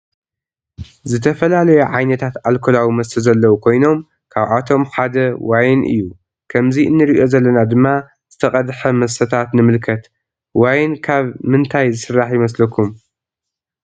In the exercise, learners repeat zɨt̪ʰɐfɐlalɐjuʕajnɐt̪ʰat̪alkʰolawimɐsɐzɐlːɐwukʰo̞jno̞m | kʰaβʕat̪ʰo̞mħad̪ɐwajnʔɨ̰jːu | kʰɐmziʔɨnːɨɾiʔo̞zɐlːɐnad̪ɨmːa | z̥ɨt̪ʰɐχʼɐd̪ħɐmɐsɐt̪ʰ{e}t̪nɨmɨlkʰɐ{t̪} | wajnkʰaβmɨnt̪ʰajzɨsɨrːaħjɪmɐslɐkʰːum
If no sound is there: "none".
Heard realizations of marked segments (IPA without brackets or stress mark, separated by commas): a, t̪